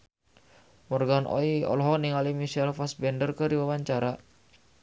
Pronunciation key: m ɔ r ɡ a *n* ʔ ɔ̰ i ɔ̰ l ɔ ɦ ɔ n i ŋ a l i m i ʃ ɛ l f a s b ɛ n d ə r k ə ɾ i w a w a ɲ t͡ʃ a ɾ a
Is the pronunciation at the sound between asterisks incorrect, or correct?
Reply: correct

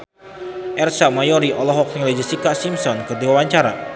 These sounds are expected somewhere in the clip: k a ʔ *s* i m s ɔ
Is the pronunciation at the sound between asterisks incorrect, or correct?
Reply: correct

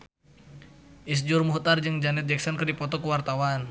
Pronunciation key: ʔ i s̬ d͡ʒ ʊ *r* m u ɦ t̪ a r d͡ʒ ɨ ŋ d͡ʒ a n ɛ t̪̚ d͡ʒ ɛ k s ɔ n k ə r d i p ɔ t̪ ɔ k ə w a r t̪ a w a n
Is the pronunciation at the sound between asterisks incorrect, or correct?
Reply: correct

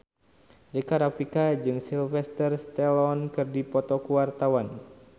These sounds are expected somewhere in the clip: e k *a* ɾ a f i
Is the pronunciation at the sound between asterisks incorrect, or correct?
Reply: correct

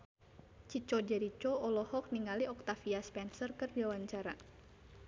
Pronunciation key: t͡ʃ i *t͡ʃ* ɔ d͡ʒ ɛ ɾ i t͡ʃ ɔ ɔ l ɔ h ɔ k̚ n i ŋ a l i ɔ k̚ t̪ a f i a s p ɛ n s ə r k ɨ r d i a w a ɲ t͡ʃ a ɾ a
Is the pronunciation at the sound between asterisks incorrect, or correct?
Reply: correct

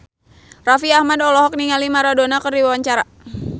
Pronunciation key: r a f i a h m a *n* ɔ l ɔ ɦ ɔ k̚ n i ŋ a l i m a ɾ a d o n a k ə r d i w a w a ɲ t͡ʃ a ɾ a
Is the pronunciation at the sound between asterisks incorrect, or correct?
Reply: incorrect: d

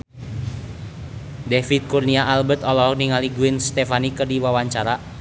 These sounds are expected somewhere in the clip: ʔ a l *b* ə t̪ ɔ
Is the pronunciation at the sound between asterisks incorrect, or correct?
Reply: correct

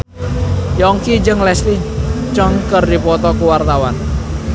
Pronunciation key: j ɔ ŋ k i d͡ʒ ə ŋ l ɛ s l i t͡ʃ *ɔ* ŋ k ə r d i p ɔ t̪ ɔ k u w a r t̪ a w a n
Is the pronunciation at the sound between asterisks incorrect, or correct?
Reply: correct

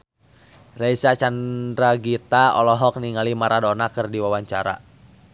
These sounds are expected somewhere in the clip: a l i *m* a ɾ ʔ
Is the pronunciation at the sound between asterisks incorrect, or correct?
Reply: correct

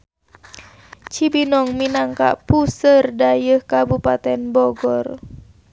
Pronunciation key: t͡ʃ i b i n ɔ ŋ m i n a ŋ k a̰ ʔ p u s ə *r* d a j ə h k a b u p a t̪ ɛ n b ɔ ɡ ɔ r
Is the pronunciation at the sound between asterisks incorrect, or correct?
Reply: correct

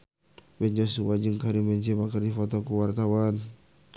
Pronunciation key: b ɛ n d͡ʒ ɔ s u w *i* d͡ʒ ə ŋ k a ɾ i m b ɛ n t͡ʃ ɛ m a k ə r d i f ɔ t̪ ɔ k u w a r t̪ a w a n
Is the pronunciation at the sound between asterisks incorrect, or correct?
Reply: incorrect: a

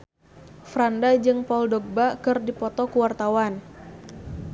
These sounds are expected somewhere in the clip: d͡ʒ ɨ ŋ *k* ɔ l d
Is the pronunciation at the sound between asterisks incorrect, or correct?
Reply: incorrect: p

